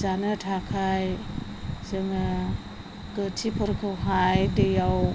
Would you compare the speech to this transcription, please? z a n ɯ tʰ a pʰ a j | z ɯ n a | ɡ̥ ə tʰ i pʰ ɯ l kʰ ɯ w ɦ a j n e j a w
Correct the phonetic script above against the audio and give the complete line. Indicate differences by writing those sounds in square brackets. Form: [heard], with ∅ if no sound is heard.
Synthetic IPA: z a n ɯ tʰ a [kʰ] a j | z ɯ [ŋ] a | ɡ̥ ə tʰ i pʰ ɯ [ɾ] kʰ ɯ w ɦ a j [d] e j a w